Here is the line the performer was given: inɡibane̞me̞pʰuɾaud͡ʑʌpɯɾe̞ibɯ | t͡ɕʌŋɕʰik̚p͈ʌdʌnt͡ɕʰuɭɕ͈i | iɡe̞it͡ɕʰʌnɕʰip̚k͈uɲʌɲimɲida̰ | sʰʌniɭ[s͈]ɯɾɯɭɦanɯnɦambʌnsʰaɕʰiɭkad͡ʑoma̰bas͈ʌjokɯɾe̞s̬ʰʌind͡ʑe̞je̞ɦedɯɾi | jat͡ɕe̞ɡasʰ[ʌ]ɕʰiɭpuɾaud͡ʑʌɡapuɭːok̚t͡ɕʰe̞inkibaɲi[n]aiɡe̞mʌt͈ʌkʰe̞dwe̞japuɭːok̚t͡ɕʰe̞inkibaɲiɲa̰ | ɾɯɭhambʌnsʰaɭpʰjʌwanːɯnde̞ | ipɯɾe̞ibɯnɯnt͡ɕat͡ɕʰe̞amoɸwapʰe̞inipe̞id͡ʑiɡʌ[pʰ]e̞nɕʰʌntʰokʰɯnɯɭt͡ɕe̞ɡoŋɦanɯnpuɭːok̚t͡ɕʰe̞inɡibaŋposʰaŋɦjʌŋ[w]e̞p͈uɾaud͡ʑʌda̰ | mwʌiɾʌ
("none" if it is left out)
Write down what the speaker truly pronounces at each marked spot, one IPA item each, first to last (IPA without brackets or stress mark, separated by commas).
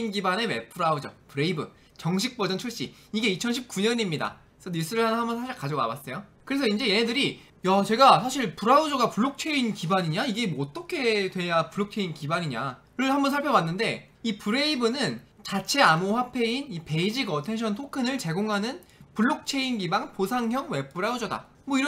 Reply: s͈, a, ɲ, tʰ, w